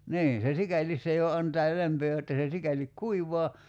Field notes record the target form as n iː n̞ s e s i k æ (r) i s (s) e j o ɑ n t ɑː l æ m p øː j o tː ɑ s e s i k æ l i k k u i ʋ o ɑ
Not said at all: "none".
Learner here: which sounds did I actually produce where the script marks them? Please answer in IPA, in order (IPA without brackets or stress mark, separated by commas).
l, s